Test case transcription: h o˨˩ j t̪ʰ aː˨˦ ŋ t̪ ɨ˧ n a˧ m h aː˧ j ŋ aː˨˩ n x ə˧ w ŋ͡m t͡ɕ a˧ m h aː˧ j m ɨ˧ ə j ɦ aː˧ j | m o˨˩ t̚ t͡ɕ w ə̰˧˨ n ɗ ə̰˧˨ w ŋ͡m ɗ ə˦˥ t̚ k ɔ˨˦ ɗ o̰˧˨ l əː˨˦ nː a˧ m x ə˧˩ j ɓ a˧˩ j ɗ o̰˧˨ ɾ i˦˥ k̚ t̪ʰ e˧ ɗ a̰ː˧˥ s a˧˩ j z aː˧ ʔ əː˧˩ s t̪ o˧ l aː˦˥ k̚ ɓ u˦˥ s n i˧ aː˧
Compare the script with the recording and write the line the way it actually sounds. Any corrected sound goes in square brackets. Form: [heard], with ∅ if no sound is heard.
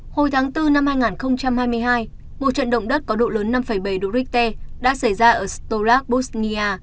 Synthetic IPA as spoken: h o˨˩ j t̪ʰ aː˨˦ ŋ t̪ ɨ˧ n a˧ m h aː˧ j ŋ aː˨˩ n x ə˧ w ŋ͡m t͡ɕ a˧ m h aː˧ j m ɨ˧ ə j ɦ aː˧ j | m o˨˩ t̚ t͡ɕ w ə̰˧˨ n ɗ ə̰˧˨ w ŋ͡m ɗ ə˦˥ t̚ k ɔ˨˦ ɗ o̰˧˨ l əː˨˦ nː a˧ m [f] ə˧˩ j ɓ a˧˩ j ɗ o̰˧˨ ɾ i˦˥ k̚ [t̪] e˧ ɗ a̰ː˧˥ s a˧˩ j z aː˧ ʔ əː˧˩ s t̪ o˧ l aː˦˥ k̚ ɓ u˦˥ s n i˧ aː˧

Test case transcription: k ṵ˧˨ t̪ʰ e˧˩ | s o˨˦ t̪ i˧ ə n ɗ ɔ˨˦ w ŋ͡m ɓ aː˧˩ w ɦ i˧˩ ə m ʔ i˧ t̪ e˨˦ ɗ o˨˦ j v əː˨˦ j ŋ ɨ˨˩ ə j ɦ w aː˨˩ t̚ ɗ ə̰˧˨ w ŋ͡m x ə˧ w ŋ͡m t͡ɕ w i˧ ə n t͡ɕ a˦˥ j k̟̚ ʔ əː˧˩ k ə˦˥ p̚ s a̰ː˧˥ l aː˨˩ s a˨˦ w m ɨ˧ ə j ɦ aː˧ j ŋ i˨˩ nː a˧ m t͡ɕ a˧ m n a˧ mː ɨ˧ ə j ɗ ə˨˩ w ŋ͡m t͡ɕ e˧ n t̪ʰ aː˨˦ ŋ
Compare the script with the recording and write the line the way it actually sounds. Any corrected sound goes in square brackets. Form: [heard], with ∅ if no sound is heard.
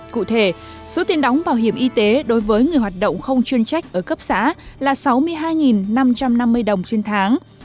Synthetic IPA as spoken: k ṵ˧˨ t̪ʰ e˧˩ | s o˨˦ t̪ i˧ ə n ɗ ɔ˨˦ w ŋ͡m ɓ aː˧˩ w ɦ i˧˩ ə m ʔ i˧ t̪ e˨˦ ɗ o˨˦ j v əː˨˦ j ŋ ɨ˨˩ ə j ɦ w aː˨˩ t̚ ɗ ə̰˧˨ w ŋ͡m x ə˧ w ŋ͡m t͡ɕ w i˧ ə n t͡ɕ a˦˥ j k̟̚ ʔ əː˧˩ k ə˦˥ p̚ s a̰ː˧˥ l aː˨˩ s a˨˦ w m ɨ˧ ə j ɦ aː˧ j ŋ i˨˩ nː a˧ m t͡ɕ a˧ m n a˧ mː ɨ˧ ə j ɗ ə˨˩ w ŋ͡m t͡ɕ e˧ n t̪ʰ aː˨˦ ŋ

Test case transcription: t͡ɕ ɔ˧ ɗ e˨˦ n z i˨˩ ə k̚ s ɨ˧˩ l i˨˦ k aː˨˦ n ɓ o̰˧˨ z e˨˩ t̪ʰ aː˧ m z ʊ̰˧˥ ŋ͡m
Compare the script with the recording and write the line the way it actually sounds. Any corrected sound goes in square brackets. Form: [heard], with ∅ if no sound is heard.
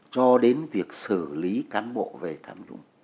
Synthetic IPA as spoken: t͡ɕ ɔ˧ ɗ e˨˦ n [v] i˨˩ ə k̚ s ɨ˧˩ l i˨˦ k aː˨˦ n ɓ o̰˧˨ [v] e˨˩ t̪ʰ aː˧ m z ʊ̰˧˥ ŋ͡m

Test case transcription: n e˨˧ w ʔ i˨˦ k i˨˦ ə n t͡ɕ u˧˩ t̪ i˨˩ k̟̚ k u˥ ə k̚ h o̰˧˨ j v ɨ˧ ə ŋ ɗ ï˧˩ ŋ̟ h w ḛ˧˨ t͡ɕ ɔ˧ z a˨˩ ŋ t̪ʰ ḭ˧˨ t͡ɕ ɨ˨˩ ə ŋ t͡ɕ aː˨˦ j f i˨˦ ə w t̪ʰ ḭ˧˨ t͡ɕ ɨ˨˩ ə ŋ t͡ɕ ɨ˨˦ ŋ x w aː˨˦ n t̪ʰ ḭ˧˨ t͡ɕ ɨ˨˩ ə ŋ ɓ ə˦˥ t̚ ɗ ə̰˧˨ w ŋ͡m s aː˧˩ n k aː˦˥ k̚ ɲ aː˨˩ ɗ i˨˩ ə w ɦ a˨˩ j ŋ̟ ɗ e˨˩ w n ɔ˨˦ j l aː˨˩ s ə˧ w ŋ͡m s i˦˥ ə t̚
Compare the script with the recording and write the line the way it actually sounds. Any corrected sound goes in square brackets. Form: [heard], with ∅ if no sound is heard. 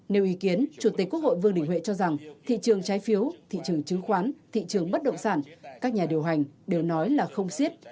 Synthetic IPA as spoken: n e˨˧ w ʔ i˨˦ k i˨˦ ə n t͡ɕ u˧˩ t̪ i˨˩ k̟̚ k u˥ ə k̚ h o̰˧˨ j v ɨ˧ ə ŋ ɗ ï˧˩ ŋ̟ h w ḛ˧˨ t͡ɕ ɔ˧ z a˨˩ ŋ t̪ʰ ḭ˧˨ t͡ɕ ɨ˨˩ ə ŋ t͡ɕ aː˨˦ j f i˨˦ ə w t̪ʰ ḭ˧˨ t͡ɕ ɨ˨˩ ə ŋ t͡ɕ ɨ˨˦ ŋ x w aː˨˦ n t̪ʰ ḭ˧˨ t͡ɕ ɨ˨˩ ə ŋ ɓ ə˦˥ t̚ ɗ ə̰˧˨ w ŋ͡m s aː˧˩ n k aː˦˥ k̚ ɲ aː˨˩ ɗ i˨˩ ə w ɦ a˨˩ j ŋ̟ ɗ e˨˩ w n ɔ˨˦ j l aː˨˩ [x] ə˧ w ŋ͡m s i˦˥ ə t̚

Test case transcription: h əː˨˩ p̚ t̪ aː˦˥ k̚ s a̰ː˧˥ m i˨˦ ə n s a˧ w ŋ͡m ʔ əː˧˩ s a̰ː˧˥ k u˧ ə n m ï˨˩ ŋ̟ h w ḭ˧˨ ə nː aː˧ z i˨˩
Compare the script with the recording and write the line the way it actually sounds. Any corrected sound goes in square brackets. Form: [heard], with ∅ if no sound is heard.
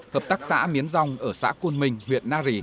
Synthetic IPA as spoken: h əː˨˩ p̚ t̪ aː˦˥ k̚ s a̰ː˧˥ m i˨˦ ə n [z] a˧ w ŋ͡m ʔ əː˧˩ s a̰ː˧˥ k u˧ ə n m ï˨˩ ŋ̟ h w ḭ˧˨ ə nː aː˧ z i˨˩

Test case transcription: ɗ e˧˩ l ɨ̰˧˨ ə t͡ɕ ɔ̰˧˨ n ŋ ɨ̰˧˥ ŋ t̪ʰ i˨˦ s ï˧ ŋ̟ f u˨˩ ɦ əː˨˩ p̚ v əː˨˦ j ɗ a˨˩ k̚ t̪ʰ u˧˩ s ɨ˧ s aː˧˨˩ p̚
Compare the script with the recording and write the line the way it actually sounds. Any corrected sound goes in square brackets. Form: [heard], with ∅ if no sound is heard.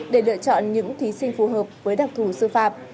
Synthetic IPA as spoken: ɗ e˧˩ l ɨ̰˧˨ ə t͡ɕ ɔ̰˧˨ n [ɲ] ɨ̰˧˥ ŋ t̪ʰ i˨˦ s ï˧ ŋ̟ f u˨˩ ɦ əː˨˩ p̚ v əː˨˦ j ɗ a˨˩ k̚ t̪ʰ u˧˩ s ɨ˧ [f] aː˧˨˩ p̚

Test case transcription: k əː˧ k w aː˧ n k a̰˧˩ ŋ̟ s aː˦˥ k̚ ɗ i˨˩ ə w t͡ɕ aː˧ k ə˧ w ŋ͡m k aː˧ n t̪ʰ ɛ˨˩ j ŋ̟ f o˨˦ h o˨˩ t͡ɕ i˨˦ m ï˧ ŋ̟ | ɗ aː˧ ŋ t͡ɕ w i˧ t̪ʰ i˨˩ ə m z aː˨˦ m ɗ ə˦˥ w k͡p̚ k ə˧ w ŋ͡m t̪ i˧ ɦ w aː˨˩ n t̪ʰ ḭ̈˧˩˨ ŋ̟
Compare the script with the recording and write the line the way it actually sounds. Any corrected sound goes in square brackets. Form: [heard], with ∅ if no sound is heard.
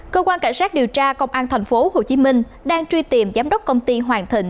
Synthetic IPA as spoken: k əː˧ k w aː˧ n k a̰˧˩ ŋ̟ s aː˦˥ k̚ ɗ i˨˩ ə w t͡ɕ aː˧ k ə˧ w ŋ͡m [ʔ] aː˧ n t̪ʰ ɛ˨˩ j ŋ̟ f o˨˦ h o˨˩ t͡ɕ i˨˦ m ï˧ ŋ̟ | ɗ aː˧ ŋ t͡ɕ w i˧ [t̪] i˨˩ ə m z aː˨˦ m ɗ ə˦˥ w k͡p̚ k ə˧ w ŋ͡m t̪ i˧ ɦ w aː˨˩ n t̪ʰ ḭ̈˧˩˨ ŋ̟

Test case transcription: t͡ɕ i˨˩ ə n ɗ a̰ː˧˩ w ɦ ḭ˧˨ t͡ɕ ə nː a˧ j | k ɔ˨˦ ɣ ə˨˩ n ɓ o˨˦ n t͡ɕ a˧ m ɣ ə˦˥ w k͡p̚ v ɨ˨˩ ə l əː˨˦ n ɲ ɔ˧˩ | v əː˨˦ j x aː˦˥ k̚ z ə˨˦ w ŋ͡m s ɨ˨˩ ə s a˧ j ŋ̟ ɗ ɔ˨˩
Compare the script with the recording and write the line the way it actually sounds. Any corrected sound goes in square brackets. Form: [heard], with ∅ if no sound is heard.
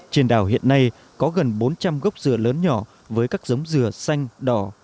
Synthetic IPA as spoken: t͡ɕ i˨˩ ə n ɗ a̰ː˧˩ w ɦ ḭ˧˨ [∅] ə nː a˧ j | k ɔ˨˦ ɣ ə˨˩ n ɓ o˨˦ n t͡ɕ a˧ m ɣ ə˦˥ w k͡p̚ [z] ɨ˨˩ ə l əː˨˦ n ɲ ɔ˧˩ | v əː˨˦ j [k] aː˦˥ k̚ z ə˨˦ w ŋ͡m [z] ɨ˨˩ ə s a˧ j ŋ̟ ɗ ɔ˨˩

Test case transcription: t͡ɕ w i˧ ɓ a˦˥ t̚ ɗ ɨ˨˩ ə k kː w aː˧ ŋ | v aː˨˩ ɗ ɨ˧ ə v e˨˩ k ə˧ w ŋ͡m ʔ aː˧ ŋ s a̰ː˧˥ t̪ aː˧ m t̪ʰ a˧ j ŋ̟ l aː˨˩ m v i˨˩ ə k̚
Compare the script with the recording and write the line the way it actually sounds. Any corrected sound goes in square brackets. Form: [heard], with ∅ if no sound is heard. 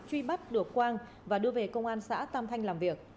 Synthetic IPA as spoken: t͡ɕ w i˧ ɓ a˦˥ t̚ ɗ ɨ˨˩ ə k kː w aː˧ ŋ | v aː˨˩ ɗ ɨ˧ ə v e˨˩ k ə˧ w ŋ͡m ʔ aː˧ [n] s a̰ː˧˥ t̪ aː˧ m t̪ʰ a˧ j ŋ̟ l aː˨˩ m v i˨˩ ə k̚

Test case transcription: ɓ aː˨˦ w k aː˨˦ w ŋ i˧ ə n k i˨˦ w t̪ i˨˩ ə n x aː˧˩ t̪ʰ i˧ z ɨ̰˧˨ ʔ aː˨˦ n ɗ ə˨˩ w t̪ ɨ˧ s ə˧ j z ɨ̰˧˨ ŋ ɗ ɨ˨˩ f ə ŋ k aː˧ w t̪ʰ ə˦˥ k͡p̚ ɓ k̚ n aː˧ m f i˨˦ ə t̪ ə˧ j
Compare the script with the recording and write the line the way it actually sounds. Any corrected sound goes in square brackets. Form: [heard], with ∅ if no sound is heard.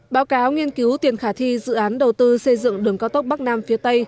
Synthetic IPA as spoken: ɓ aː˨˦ w k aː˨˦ w ŋ i˧ ə n k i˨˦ w t̪ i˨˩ ə n x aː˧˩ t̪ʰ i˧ z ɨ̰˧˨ ʔ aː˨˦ n ɗ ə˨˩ w t̪ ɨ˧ s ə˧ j z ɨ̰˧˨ ŋ ɗ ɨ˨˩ [∅] ə ŋ k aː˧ w [t̪] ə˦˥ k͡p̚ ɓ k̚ n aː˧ m f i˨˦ ə t̪ ə˧ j

